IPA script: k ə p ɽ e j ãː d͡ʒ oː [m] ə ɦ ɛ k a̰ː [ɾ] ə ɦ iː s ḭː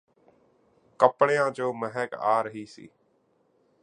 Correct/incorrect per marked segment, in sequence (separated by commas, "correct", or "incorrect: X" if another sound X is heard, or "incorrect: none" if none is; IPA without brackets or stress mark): correct, correct